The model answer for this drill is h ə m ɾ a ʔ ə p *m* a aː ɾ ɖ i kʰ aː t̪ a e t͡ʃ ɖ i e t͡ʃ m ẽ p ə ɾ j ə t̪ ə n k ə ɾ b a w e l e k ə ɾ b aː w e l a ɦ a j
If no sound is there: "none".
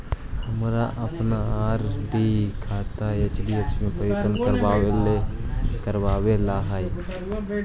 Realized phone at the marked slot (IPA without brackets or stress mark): n